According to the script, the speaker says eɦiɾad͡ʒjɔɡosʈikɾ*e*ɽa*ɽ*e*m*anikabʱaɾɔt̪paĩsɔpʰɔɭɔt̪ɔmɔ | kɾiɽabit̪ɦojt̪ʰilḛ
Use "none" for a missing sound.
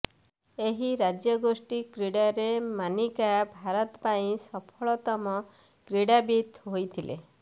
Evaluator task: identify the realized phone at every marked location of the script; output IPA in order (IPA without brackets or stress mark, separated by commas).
i, ɾ, m